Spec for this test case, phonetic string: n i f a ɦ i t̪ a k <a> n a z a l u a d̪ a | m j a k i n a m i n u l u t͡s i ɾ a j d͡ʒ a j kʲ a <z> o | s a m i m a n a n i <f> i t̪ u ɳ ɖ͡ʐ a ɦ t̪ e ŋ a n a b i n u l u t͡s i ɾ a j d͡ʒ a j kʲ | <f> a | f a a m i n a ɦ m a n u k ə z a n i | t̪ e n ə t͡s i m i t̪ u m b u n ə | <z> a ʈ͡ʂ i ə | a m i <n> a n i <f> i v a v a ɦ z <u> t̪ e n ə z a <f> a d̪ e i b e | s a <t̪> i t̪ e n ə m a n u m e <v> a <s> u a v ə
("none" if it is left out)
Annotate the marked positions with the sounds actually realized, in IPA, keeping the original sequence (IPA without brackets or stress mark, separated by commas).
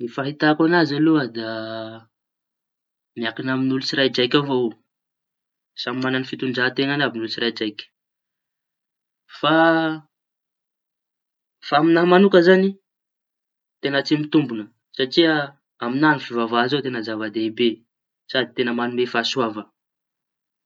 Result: a, v, f, f, s, n, f, o, v, d̪, f, s